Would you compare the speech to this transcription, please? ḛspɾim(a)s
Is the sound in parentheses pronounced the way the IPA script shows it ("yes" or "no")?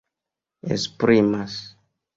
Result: yes